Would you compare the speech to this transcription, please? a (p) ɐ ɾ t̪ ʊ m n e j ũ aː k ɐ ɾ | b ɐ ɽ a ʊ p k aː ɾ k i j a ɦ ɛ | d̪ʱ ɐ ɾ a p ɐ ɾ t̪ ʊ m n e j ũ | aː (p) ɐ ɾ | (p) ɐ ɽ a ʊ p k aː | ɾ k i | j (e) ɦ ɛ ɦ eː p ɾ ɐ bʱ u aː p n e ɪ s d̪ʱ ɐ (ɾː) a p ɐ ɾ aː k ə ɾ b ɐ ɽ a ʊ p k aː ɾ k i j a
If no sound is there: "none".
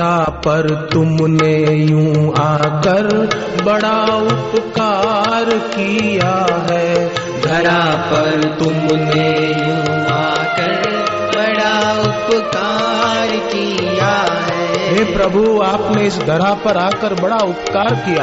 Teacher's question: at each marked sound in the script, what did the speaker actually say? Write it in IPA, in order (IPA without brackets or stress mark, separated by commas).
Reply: p, k, b, a, ɾ